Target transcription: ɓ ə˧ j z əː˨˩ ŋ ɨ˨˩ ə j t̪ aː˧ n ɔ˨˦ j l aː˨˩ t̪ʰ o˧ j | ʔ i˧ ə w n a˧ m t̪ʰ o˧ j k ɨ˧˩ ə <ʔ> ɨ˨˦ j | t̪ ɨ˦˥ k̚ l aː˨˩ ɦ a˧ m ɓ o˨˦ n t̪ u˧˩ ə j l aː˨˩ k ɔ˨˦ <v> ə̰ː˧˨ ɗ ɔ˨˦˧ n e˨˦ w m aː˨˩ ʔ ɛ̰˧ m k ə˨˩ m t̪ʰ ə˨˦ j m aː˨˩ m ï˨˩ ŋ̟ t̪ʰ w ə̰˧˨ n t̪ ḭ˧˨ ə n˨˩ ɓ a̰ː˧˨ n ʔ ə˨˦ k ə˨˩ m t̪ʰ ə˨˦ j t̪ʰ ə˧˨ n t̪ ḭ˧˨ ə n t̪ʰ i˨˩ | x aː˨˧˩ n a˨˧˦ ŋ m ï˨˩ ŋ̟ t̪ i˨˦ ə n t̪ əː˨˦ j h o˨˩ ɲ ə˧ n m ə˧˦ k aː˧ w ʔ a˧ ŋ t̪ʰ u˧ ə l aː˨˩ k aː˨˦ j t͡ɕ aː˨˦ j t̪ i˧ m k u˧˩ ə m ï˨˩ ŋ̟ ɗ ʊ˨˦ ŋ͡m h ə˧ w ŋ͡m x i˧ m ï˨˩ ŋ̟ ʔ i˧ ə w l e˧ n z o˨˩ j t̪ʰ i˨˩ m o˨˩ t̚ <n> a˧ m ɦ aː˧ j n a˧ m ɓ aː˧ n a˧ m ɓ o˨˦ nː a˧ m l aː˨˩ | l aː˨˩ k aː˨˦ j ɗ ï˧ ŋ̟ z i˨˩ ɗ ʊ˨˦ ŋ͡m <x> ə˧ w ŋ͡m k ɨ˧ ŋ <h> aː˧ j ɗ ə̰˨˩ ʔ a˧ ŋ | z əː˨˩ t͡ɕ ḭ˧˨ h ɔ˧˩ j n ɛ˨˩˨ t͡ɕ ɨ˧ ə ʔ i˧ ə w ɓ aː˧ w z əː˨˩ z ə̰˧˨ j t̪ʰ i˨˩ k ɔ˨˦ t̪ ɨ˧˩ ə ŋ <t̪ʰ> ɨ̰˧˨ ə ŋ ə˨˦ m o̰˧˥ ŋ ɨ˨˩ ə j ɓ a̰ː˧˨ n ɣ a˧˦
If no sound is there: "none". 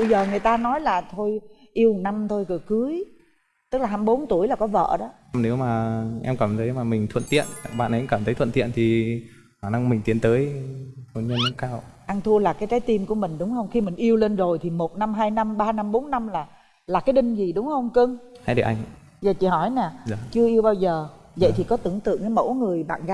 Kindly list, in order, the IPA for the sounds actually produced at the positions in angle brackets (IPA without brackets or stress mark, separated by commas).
k, v, n, h, h, t̪